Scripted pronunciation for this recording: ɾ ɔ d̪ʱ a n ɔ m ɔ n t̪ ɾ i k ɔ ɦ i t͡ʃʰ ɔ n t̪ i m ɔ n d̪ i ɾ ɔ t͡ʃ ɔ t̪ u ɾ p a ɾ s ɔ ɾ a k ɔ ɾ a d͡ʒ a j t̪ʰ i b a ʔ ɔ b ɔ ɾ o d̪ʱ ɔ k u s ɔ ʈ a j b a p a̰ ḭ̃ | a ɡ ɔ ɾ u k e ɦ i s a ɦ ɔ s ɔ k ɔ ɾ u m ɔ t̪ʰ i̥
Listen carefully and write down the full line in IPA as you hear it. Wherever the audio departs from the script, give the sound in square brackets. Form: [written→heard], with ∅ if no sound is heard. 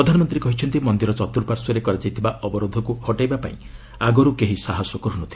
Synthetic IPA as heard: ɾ ɔ d̪ʱ a n ɔ m ɔ n t̪ ɾ i k ɔ ɦ i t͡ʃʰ ɔ n t̪ i m ɔ n d̪ i ɾ ɔ t͡ʃ ɔ t̪ u ɾ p a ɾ s ɔ ɾ [a→e] k ɔ ɾ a d͡ʒ a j t̪ʰ i b a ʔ ɔ b ɔ ɾ o d̪ʱ ɔ k u [s→h] ɔ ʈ a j b a p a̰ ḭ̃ | a ɡ ɔ ɾ u k e ɦ i s a ɦ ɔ s ɔ k ɔ ɾ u [m→n] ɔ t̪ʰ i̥